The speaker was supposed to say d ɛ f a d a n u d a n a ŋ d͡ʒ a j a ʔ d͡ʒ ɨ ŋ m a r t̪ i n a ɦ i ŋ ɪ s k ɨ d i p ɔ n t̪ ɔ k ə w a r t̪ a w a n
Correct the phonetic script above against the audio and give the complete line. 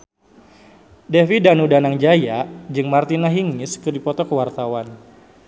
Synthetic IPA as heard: d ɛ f i d a n u d a n a ŋ d͡ʒ a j a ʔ d͡ʒ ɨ ŋ m a r t̪ i n a ɦ i ŋ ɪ s k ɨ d i p ɔ t̪ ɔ k ə w a r t̪ a w a n